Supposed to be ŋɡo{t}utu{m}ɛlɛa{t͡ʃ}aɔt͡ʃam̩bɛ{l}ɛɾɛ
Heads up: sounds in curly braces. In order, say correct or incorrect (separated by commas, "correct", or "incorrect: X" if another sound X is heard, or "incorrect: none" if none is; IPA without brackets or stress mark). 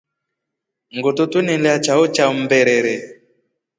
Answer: correct, incorrect: n, correct, incorrect: ɾ